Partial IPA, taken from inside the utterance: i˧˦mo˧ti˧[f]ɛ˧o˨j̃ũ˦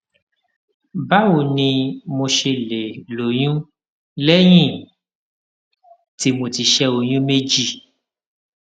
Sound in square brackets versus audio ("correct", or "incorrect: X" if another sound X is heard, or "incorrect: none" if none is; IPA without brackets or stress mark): incorrect: ʃ